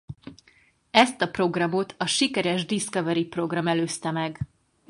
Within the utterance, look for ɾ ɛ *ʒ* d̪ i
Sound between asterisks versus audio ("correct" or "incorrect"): correct